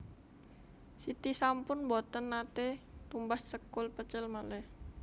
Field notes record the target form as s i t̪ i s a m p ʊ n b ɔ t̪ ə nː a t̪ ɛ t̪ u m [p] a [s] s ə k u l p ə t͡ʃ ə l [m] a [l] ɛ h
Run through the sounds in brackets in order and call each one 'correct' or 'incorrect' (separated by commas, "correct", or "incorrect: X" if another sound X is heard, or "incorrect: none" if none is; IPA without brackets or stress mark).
incorrect: b, correct, correct, correct